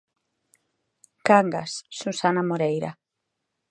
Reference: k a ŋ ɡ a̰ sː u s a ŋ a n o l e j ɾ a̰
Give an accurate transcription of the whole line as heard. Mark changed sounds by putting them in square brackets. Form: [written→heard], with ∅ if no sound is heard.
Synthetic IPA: k a ŋ ɡ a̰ sː u s a [ŋ→n] a [n→m] o [l→ɾ] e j ɾ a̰